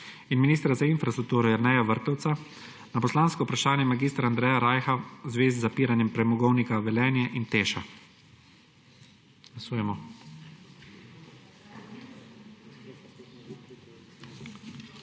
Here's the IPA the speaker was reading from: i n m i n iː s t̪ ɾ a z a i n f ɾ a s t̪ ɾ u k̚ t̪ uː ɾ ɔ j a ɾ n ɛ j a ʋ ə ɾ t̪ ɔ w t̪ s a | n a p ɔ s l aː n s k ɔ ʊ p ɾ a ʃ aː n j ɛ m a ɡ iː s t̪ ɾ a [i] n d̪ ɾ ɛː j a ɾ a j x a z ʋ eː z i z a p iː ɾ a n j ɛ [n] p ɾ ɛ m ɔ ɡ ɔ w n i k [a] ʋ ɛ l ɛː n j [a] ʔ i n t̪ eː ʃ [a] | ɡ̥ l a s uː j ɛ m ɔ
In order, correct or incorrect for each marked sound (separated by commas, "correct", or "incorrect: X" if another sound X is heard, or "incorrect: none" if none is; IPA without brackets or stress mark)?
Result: incorrect: a, incorrect: m, correct, incorrect: ɛ, correct